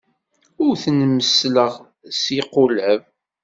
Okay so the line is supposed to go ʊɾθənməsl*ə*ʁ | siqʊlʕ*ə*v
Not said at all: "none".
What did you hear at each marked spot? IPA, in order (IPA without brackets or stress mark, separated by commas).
ə, ə